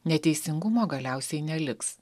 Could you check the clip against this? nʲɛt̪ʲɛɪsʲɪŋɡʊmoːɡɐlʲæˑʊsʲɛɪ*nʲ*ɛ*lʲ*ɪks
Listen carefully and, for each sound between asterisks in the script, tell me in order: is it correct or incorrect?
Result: correct, correct

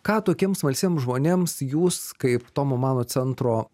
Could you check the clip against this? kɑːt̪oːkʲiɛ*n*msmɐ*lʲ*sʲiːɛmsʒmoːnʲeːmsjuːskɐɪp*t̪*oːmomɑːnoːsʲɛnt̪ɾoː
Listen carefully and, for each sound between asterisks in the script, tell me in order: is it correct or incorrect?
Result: incorrect: none, correct, correct

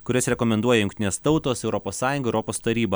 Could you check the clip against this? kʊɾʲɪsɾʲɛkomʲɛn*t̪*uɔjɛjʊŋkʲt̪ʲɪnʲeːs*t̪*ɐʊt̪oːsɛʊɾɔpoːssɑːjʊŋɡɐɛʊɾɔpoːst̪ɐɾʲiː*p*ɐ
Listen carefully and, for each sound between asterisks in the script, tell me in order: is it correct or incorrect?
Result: incorrect: d̪, correct, incorrect: b

